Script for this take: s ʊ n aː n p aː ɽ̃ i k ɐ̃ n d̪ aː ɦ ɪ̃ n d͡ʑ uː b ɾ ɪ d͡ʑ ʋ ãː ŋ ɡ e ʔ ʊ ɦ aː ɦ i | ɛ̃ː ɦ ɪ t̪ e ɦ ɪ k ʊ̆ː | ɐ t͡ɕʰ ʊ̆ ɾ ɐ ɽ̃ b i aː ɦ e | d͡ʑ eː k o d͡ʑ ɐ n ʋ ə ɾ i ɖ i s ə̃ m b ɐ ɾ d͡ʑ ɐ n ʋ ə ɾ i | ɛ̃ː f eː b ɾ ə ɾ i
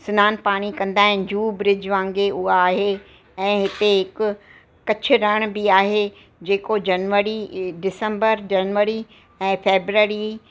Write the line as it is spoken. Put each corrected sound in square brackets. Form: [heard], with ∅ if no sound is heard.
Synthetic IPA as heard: s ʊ n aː n p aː ɽ̃ i k ɐ̃ n d̪ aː ɦ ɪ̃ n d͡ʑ uː b ɾ ɪ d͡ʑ ʋ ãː ŋ ɡ e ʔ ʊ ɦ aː ɦ [e] | ɛ̃ː ɦ ɪ t̪ e ɦ ɪ k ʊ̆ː | ɐ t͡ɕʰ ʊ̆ ɾ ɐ ɽ̃ b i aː ɦ e | d͡ʑ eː k o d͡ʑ ɐ n ʋ ə ɾ i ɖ [ɪ] s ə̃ m b [ə] ɾ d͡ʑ ɐ n ʋ ə ɾ i | ɛ̃ː f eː b ɾ ə ɾ i